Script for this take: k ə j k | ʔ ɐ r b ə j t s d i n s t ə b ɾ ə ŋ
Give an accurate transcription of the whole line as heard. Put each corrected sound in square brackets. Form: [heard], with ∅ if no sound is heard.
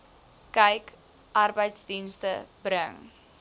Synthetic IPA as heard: k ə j k | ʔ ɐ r b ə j t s d i n s t ə b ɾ ə ŋ

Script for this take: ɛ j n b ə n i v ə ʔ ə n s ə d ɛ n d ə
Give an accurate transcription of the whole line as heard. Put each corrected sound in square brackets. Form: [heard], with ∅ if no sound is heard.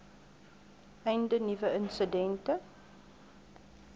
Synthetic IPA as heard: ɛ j n [d] ə n i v ə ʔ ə n s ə d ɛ n [t] ə

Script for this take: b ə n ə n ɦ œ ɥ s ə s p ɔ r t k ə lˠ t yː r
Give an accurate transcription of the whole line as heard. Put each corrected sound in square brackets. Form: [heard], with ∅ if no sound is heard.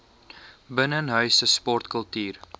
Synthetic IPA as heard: b ə n ə n ɦ œ ɥ s ə s p ɔ r t k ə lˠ t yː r

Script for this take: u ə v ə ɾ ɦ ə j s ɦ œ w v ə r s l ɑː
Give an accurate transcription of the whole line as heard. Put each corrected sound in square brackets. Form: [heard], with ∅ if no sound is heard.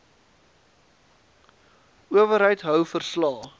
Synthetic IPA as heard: u ə v ə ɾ ɦ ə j [t] ɦ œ w [f] ə r s l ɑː

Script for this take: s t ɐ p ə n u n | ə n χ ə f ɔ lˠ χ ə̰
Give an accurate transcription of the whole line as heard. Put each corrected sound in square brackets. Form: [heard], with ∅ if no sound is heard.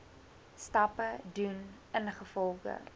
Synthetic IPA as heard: s t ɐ p ə [d] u n | ə n χ ə f ɔ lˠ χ ə̰

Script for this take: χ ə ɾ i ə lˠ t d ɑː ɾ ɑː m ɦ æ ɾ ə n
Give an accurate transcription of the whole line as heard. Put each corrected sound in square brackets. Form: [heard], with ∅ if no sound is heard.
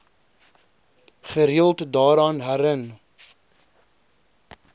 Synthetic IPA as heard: χ ə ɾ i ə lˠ t d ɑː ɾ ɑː [n] ɦ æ ɾ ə n

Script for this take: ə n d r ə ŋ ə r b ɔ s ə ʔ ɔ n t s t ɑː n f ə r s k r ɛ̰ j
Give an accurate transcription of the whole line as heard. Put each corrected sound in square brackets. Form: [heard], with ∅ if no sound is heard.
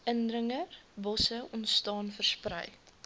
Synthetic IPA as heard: ə n d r ə ŋ ə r b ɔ s ə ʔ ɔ n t s t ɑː n f ə r s [p] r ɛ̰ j

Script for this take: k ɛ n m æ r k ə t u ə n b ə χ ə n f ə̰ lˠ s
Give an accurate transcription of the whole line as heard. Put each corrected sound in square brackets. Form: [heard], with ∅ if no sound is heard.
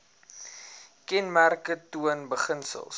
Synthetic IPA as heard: k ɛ n m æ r k ə t u ə n b ə χ ə n [s] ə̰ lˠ s

